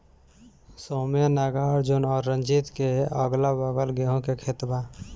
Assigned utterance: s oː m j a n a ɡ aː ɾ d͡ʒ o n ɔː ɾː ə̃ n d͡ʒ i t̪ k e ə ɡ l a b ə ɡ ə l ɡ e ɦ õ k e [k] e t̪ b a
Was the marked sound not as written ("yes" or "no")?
yes